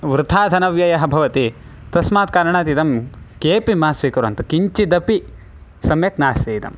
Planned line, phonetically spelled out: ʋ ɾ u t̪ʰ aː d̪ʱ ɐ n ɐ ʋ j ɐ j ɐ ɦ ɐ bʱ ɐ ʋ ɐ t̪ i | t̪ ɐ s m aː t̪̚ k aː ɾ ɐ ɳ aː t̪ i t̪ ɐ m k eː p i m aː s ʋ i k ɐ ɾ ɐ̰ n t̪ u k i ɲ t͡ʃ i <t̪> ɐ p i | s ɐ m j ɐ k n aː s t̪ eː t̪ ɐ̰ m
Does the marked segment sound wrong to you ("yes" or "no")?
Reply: yes